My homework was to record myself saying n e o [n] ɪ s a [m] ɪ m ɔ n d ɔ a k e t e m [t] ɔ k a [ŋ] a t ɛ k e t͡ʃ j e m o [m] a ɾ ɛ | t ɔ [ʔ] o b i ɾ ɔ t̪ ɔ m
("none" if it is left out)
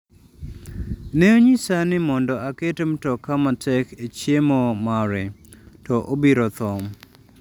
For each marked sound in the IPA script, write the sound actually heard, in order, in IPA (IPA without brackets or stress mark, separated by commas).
ɲ, n, t, m, m, ʔ